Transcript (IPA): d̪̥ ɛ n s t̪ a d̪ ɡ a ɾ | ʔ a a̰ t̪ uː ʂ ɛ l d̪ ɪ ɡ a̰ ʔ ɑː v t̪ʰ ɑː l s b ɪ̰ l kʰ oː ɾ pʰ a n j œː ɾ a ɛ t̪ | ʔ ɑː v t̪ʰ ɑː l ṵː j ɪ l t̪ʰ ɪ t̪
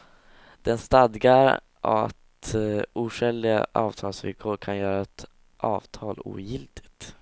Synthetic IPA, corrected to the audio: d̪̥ ɛ n s t̪ a d̪ ɡ a ɾ | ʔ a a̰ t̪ uː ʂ ɛ l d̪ ɪ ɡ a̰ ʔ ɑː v t̪ʰ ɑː l s v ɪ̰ l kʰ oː ɾ kʰ a n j œː ɾ a ɛ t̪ | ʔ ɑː v t̪ʰ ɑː l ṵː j ɪ l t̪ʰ ɪ t̪